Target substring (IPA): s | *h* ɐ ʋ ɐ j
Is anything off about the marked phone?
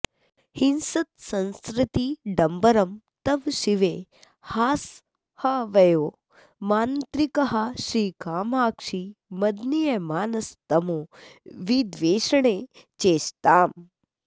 no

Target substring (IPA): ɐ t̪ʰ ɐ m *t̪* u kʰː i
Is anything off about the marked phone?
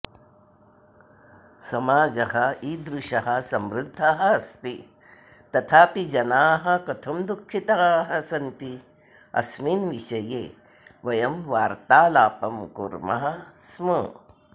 yes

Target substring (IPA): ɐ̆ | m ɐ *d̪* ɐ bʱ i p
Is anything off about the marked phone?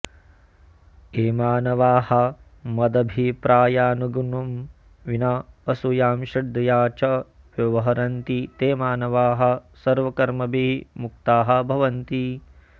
no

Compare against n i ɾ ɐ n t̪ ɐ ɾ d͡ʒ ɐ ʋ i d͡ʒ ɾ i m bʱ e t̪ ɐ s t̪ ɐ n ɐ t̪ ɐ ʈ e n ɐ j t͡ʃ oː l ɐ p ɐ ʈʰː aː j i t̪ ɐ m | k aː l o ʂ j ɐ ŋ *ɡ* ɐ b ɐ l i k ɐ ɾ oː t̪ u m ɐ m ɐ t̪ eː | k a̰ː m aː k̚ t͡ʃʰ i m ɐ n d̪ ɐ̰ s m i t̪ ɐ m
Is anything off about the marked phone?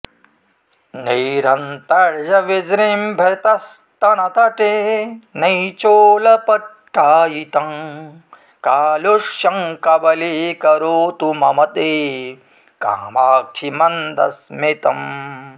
yes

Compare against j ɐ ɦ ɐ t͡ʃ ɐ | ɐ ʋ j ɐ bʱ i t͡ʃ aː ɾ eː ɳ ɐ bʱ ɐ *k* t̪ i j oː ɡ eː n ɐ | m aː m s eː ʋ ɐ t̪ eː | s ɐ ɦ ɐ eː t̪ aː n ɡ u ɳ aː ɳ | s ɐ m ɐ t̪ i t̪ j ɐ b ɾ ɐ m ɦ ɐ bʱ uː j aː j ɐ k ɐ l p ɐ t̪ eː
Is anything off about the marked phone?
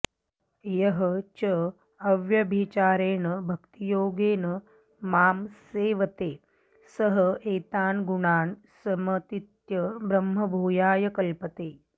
no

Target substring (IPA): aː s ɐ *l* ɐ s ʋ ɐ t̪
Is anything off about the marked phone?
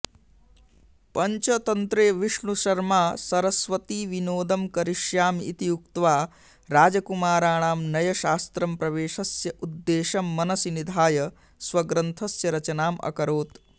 yes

